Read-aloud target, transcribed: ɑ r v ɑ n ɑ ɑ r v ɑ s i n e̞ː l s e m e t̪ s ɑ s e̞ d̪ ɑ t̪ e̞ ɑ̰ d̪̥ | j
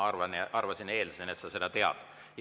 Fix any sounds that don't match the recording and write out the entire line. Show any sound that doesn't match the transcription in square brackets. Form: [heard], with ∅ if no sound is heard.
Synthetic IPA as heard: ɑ r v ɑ n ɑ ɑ r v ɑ s i n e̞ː l s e [n] e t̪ s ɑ s e̞ d̪ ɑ t̪ e̞ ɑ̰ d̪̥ | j

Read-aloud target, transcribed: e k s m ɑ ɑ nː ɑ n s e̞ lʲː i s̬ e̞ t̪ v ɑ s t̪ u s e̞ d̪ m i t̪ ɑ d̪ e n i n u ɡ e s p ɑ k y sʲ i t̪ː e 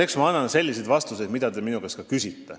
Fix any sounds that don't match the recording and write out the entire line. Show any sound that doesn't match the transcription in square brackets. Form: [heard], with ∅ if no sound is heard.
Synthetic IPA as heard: e k s m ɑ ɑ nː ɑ n s e̞ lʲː i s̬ e̞ [d̪] v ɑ s t̪ u s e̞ d̪ m i [d̪] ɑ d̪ e [m] i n u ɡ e s [k] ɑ k y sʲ i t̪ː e

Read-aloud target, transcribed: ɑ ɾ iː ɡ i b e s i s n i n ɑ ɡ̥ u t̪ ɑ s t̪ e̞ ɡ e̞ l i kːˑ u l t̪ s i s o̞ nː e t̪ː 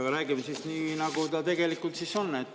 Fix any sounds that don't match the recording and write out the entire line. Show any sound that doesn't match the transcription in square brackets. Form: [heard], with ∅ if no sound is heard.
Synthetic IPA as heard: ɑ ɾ [æː] ɡ i [m] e s i s n i n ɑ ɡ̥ u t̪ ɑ [∅] t̪ e̞ ɡ e̞ l i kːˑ u l t̪ s i s o̞ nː e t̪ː

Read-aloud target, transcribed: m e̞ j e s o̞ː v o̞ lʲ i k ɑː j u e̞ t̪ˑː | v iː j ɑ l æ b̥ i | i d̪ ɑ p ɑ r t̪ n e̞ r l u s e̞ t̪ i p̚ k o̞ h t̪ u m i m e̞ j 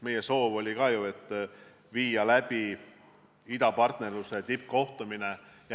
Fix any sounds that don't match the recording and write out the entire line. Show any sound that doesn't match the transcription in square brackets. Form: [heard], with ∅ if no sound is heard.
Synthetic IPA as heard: m e̞ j e s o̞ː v o̞ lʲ i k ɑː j u e̞ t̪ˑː | v iː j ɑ l æ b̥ i | i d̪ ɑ p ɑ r t̪ n e̞ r l u s e̞ t̪ i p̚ k o̞ h t̪ u m i [n] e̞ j

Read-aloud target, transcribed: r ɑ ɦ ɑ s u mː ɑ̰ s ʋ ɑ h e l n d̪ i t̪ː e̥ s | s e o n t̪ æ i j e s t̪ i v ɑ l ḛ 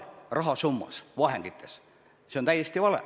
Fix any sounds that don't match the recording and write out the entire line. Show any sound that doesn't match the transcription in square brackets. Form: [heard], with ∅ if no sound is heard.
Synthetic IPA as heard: r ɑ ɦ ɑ s u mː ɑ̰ s ʋ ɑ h e [∅] n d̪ i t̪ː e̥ s | s e o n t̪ æ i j e s t̪ i [ʋ] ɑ l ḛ

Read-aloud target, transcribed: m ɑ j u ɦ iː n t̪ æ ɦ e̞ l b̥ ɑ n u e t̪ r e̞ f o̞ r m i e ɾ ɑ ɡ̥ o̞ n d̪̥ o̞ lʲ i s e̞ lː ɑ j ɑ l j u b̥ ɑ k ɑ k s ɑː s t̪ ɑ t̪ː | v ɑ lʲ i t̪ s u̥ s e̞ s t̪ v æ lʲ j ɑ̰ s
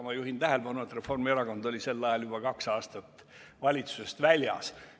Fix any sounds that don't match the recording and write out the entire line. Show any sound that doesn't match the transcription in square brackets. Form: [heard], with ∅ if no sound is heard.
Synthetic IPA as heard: m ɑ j u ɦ [i] n t̪ æ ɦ e̞ l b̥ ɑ n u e t̪ r e̞ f o̞ r m i e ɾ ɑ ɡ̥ o̞ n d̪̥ o̞ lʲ i s e̞ lː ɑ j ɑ l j u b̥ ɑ k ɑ k s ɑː s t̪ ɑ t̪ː | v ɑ lʲ i t̪ s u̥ s e̞ s t̪ v æ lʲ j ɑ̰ s

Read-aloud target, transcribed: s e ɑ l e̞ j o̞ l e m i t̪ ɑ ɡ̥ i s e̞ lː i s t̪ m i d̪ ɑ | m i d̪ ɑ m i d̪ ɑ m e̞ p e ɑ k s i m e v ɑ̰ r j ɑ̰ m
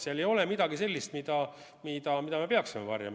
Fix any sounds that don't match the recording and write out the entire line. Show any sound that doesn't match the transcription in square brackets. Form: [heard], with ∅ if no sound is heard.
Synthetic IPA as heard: s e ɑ l e̞ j o̞ l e m i [d̪] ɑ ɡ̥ i s e̞ lː i s t̪ m i d̪ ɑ | m i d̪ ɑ m i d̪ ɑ m e̞ p e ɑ k s i m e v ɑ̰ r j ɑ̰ m

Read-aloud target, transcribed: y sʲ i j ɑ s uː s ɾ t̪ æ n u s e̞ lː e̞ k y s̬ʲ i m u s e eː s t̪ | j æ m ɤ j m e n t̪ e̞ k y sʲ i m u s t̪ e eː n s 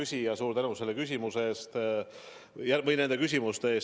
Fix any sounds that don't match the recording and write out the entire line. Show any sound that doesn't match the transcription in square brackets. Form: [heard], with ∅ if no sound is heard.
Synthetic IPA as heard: y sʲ i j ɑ s uː [∅] ɾ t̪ æ n u s e̞ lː e̞ k y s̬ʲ i m u s e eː s t̪ | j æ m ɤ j [n] e n [d̪] e̞ k y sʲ i m u s t̪ e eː [∅] s

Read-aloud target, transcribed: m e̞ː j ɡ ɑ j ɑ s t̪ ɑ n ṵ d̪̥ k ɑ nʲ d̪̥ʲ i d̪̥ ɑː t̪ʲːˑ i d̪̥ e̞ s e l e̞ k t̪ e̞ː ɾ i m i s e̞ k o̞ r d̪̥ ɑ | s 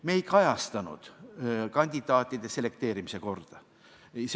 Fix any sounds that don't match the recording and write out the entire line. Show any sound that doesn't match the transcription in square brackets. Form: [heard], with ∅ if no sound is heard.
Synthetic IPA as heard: m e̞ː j [k] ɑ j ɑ s t̪ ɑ n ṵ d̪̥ k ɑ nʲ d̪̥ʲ i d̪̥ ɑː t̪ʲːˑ i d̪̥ e̞ s e l e̞ k t̪ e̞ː ɾ i m i s e̞ k o̞ r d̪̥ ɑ | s

